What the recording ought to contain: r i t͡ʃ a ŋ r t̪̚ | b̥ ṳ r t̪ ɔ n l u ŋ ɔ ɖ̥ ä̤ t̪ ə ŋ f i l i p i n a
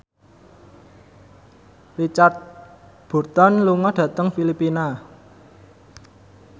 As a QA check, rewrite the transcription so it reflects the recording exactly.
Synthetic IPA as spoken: r i t͡ʃ a r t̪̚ | b̥ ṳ r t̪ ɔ n l u ŋ ɔ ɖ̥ ä̤ t̪ ə ŋ f i l i p i n a